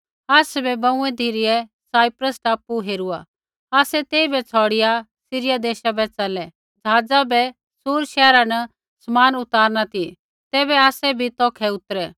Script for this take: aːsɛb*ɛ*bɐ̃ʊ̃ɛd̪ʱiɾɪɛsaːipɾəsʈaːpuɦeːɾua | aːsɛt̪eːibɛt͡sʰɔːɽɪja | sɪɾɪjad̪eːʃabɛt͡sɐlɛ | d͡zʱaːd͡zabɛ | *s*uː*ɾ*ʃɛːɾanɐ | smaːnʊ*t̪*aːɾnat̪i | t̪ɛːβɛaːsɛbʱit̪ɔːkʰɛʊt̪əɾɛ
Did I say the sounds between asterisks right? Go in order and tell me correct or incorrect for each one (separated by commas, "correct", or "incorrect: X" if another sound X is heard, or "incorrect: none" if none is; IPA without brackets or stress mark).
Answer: correct, correct, correct, correct